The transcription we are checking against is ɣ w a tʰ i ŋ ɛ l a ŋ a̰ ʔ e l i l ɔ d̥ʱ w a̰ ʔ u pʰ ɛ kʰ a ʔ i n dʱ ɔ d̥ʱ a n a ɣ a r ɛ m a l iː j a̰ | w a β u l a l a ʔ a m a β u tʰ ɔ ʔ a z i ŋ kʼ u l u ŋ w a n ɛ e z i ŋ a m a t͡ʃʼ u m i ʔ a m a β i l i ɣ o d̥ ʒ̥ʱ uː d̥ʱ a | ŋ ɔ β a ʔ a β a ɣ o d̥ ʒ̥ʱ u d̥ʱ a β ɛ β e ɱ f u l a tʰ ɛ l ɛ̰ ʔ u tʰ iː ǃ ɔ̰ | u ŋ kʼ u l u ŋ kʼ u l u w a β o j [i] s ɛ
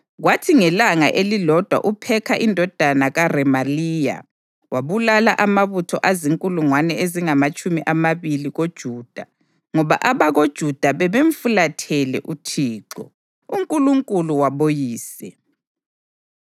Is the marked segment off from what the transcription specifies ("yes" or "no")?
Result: yes